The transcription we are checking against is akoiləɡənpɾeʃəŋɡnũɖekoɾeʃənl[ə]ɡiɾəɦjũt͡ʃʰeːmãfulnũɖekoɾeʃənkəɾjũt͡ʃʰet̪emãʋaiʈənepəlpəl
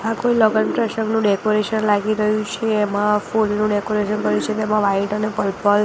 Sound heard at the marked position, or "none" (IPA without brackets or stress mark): a